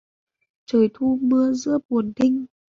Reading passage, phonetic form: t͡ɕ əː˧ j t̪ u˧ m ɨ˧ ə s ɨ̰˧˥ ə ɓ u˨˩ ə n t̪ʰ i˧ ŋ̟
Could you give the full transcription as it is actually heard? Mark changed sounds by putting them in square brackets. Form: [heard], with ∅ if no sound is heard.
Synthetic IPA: t͡ɕ [əː˨˩] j [t̪ʰ] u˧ m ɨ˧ ə [z] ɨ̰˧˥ ə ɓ u˨˩ ə n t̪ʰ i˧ ŋ̟